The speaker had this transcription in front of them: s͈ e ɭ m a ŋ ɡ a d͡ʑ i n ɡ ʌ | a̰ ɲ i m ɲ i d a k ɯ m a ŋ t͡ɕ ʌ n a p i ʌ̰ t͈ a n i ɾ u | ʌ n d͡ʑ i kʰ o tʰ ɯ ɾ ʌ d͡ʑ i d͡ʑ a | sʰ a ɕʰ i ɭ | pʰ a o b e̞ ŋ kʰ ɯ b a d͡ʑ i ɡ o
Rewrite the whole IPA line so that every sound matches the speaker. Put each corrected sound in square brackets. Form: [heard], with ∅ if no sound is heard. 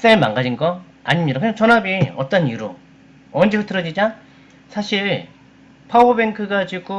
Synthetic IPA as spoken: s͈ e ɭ m a ŋ ɡ a d͡ʑ i n ɡ ʌ | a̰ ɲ i m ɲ i d a k ɯ [ɲ] a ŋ t͡ɕ ʌ n a [b] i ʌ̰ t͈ [ʌ] n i ɾ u | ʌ n d͡ʑ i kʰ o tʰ ɯ ɾ ʌ d͡ʑ i d͡ʑ a | sʰ a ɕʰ i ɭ | pʰ a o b e̞ ŋ kʰ ɯ [ɡ] a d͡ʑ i ɡ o